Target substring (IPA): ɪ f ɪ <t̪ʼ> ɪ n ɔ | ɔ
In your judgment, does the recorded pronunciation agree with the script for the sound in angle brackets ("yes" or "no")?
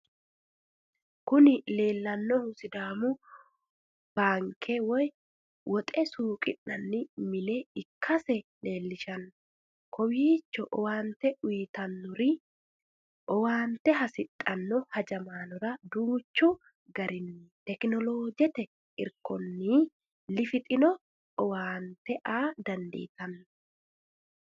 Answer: yes